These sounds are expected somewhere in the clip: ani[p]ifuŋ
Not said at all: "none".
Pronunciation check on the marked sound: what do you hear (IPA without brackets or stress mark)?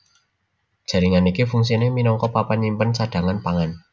k